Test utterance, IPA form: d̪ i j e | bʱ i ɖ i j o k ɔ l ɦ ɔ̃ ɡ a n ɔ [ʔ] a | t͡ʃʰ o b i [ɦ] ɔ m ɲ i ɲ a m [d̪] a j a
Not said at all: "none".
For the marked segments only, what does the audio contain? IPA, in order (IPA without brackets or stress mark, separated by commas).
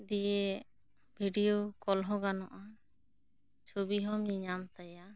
ʔ, ɦ, t̪